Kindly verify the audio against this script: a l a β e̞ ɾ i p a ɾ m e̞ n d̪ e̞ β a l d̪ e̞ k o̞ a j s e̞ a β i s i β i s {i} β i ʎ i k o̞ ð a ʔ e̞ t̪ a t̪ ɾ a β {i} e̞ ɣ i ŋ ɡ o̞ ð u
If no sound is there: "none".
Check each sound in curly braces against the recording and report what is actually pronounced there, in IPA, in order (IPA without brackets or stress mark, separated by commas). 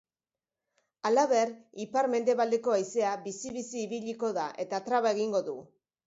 iː, a